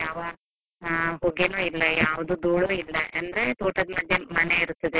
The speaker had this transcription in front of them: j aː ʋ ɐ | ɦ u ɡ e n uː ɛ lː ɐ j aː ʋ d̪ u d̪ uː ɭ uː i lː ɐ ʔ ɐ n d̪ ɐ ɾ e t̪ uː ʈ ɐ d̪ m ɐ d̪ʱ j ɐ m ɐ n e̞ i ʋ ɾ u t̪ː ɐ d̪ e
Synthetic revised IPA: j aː ʋ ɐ | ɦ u ɡ e n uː i lː ɐ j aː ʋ d̪ u d̪ uː ɭ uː i lː ɐ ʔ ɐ n d̪ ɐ ɾ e t̪ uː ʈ ɐ d̪ m ɐ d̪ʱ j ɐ m ɐ n e̞ i ɾ u t̪ː ɐ d̪ e

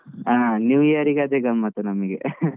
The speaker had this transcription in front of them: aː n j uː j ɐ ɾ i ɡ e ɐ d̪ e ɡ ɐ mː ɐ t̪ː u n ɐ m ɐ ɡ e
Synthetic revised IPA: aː n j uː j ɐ ɾ i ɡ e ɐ d̪ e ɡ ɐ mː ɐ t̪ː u n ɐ m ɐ ɡ e

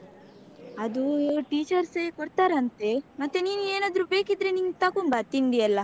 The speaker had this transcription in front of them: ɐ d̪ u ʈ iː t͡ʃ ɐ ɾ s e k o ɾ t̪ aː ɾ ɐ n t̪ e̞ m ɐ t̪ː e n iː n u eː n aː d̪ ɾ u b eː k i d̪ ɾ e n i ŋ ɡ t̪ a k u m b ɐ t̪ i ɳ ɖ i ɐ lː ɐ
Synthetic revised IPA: ɐ d̪ u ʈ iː t͡ʃ ɐ ɾ s e k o ɾ t̪ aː ɾ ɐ n t̪ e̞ m ɐ t̪ː e n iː n u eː n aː d̪ ɾ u b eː k i d̪ ɾ e n i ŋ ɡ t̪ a k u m b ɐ t̪ i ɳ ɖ i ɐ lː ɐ

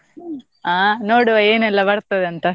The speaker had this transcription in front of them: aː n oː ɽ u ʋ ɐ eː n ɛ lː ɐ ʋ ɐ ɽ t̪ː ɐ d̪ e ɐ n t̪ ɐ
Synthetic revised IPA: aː n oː ɽ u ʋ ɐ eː n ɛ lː ɐ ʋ ɐ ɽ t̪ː ɐ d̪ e ɐ n t̪ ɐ

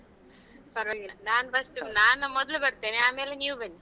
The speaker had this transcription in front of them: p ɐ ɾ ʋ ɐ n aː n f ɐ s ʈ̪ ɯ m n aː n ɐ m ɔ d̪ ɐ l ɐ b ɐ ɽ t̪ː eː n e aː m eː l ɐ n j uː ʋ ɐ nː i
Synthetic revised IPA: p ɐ ɾ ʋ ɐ n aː n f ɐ s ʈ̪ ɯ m n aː n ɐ m ɔ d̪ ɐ l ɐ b ɐ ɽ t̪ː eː n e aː m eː l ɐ n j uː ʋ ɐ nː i

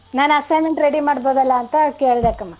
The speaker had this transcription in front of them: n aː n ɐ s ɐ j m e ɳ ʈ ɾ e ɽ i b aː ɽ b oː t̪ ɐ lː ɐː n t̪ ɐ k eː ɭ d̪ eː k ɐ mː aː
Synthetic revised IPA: n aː n ɐ s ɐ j m e ɳ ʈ ɾ e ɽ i m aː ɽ b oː d̪ ɐ lː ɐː n t̪ ɐ k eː ɭ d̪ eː k ɐ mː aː

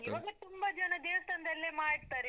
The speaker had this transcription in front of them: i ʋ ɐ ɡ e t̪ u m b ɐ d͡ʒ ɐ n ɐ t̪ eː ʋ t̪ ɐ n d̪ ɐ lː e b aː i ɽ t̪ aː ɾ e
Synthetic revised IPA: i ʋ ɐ ɡ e t̪ u m b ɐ d͡ʒ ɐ n ɐ d̪ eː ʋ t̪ ɐ n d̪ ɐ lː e m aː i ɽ t̪ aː ɾ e

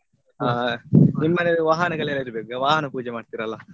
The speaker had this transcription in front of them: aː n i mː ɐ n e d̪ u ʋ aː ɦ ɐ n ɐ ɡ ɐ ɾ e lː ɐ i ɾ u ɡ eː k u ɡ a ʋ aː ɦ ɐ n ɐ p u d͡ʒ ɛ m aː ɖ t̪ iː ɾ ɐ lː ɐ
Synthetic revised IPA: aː n i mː ɐ n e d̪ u ʋ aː ɦ ɐ n ɐ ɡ ɐ ɭ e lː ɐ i ɾ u b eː k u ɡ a ʋ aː ɦ ɐ n ɐ p uː d͡ʒ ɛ m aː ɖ t̪ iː ɾ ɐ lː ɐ

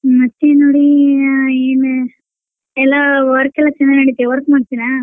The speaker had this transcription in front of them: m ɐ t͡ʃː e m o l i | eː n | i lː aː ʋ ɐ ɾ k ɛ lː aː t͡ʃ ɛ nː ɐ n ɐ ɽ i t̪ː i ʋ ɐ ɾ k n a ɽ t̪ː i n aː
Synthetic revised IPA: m ɐ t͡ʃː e n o ɽ i | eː n | ɛ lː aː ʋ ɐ ɾ k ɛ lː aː t͡ʃ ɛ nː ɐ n ɐ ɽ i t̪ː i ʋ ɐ ɾ k m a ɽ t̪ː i n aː

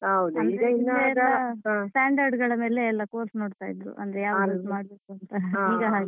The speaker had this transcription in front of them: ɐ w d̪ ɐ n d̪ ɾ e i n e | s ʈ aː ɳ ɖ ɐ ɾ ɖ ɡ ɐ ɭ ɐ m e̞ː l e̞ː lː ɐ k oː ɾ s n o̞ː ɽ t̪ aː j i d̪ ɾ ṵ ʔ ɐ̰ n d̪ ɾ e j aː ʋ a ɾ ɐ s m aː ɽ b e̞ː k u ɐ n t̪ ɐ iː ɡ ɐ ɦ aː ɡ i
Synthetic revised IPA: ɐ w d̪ ɐ n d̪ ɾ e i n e | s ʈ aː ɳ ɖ ɐ ɾ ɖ ɡ ɐ ɭ ɐ m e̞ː l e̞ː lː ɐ k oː ɾ s n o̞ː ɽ t̪ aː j i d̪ ɾ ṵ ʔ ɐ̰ n d̪ ɾ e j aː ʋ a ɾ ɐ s m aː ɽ b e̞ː k u ɐ n t̪ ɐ iː ɡ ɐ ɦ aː ɡ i

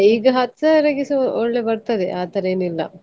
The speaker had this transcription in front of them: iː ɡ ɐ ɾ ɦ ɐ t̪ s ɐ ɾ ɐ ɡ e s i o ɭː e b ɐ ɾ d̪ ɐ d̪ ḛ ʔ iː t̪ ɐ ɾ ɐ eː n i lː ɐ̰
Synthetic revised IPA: iː ɡ ɐ ɦ ɐ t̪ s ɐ ɾ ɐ ɡ i s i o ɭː e b ɐ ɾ t̪ ɐ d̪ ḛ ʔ aː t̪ ɐ ɾ ɐ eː n i lː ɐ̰

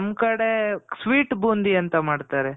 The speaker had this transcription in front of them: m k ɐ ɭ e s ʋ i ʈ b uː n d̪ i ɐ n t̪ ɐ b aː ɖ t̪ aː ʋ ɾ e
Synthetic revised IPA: m k ɐ ɽ e s ʋ iː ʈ b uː n d̪ i ɐ n t̪ ɐ m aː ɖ t̪ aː ɾ e

